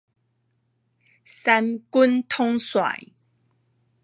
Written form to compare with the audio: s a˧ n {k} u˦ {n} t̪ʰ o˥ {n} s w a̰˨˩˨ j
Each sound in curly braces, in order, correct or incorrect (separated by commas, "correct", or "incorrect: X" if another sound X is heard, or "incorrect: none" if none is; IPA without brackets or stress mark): correct, correct, incorrect: ŋ